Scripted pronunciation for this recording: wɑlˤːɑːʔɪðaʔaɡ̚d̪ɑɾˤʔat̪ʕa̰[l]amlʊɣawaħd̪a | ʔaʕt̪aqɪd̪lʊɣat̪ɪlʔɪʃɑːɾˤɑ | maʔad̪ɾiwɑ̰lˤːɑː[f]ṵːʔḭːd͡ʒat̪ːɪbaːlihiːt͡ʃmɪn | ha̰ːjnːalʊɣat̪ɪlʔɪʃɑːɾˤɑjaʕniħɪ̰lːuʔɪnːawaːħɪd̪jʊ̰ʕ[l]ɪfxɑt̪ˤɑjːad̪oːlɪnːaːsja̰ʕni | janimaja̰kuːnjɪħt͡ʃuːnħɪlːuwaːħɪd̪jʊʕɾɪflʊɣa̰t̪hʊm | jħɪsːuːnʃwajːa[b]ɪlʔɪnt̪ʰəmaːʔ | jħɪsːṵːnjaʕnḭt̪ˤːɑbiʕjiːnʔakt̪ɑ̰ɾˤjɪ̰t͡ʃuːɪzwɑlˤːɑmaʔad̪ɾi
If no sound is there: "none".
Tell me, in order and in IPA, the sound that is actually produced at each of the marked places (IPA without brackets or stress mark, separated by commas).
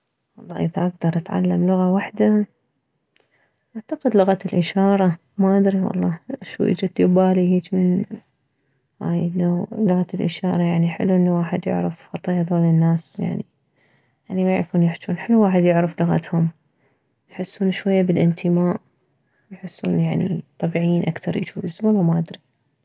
lː, ʃ, ɾ, b